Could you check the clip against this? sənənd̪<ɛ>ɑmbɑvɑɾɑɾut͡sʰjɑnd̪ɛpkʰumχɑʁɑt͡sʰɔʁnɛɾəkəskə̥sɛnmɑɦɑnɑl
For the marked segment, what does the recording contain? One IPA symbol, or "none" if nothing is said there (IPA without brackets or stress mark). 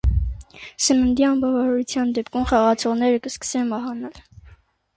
i